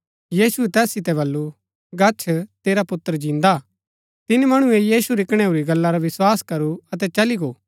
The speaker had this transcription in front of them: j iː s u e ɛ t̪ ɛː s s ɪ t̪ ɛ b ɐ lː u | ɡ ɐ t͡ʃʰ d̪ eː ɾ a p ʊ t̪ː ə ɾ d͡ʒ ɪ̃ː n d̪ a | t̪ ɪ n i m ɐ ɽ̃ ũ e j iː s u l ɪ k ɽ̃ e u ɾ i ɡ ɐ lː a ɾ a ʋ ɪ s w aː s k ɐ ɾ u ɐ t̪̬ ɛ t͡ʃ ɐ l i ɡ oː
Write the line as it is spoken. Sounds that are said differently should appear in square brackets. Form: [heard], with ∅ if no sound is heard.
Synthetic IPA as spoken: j iː s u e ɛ t̪ ɛː s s ɪ t̪ ɛ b ɐ lː u | ɡ ɐ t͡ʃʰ [t̪] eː ɾ a p ʊ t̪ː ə ɾ d͡ʒ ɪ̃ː n d̪ a | t̪ ɪ n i m ɐ ɽ̃ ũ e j iː s u [ɾ] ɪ k ɽ̃ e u ɾ i ɡ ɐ lː a ɾ a ʋ ɪ s w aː s k ɐ ɾ u ɐ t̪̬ ɛ t͡ʃ ɐ l i ɡ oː

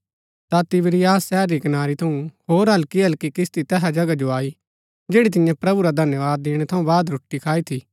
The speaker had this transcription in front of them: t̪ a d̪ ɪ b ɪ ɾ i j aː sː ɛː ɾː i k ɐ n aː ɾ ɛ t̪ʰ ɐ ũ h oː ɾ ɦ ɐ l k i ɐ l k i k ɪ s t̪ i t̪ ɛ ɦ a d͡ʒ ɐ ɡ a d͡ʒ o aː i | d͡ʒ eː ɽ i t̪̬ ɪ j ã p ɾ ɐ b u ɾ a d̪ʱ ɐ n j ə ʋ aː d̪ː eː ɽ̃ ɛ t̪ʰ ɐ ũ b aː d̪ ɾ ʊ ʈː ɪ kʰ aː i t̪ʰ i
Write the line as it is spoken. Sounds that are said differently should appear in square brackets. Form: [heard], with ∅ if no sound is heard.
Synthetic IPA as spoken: t̪ a [t̪] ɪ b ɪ ɾ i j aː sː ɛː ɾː i k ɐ n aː ɾ [i] t̪ʰ ɐ ũ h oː ɾ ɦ ɐ l k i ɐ l k i k ɪ s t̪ i t̪ ɛ ɦ a d͡ʒ ɐ ɡ a d͡ʒ o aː i | d͡ʒ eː ɽ i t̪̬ ɪ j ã p ɾ ɐ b u ɾ a d̪ʱ ɐ n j ə ʋ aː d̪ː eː ɽ̃ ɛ t̪ʰ ɐ ũ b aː d̪ ɾ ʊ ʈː [i] kʰ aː i t̪ʰ i

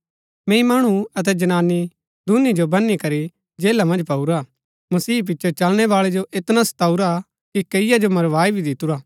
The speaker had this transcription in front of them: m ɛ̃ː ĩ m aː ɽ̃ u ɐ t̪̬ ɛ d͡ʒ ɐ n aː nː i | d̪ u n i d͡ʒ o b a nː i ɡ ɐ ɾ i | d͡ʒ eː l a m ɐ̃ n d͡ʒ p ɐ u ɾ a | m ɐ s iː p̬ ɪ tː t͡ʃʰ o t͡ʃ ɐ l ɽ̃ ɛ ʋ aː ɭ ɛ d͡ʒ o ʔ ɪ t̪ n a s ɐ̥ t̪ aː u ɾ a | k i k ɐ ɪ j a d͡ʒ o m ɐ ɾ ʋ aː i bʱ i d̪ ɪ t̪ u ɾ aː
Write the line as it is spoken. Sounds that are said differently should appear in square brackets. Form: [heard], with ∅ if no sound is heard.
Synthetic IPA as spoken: m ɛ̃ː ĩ m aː ɽ̃ u ɐ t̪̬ ɛ d͡ʒ ɐ n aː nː i | d̪ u n i d͡ʒ o b [ɐ] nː i [k] ɐ ɾ i | d͡ʒ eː l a m ɐ̃ n d͡ʒ p ɐ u ɾ a | m ɐ s iː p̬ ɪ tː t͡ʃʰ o t͡ʃ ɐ l ɽ̃ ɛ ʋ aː ɭ ɛ d͡ʒ o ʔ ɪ t̪ n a s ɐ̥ t̪ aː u ɾ a | k i k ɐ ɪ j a d͡ʒ o m ɐ ɾ ʋ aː i bʱ i d̪ ɪ t̪ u ɾ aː

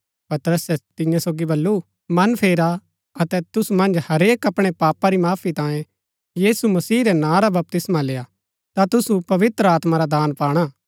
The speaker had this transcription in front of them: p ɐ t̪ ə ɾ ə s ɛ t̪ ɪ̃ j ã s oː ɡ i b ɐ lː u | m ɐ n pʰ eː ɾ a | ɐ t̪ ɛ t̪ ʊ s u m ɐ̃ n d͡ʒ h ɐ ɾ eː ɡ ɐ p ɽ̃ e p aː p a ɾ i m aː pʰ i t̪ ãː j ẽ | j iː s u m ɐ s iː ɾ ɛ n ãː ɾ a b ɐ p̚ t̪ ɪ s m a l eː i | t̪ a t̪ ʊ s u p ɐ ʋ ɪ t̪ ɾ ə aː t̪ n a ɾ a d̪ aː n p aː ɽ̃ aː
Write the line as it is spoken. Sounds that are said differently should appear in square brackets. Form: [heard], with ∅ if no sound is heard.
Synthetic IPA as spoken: p ɐ t̪ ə ɾ ə s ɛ t̪ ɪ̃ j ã s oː ɡ i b ɐ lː u | m ɐ n pʰ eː ɾ a | ɐ t̪ ɛ t̪ ʊ s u m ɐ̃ n d͡ʒ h ɐ ɾ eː [k] ɐ p ɽ̃ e p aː p a ɾ i m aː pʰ i t̪ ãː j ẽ | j iː s u m ɐ s iː ɾ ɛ n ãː ɾ a b ɐ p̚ t̪ ɪ s m a l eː [a] | t̪ a t̪ ʊ s u p ɐ ʋ ɪ t̪ ɾ ə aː t̪ [m] a ɾ a d̪ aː n p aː ɽ̃ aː

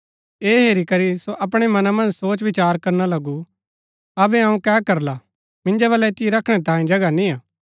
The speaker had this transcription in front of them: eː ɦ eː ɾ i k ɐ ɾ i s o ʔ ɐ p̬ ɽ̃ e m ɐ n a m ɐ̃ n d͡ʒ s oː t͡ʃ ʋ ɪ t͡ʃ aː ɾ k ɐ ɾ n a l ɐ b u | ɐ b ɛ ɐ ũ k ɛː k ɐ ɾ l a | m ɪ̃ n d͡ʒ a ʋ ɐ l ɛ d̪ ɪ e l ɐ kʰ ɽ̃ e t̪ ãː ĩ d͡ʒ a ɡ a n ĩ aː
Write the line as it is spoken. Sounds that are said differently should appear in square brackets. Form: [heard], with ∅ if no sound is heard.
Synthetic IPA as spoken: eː ɦ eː ɾ i k ɐ ɾ i s o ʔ ɐ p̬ ɽ̃ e m ɐ n a m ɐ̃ n d͡ʒ s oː t͡ʃ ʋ ɪ t͡ʃ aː ɾ k ɐ ɾ n a l ɐ [ɡ] u | ɐ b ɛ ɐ ũ k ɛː k ɐ ɾ l a | m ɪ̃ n d͡ʒ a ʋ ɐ l ɛ [t̪] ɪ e [ɾ] ɐ kʰ ɽ̃ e t̪ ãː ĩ d͡ʒ [ɐ] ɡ a n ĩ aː

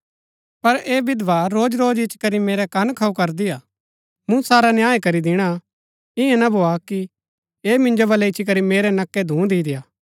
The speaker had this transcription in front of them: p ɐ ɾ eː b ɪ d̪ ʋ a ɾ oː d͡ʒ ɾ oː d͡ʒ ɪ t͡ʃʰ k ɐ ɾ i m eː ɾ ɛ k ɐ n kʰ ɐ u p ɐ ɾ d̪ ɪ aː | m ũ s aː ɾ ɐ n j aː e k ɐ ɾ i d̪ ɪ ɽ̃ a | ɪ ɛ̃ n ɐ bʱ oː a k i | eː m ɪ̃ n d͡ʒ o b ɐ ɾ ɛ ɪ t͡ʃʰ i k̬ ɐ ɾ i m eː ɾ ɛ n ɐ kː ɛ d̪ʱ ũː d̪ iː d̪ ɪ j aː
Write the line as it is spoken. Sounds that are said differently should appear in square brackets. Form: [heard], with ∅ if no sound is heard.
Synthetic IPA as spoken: p ɐ ɾ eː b ɪ d̪ ʋ a ɾ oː d͡ʒ ɾ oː d͡ʒ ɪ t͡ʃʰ k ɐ ɾ i m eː ɾ ɛ k ɐ n kʰ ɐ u [k] ɐ ɾ d̪ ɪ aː | m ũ s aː ɾ [a] n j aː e k ɐ ɾ i d̪ ɪ ɽ̃ a | ɪ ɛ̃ n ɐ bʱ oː a k i | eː m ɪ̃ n d͡ʒ o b ɐ [l] ɛ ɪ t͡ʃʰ i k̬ ɐ ɾ i m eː ɾ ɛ n ɐ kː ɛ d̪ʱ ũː d̪ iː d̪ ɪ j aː

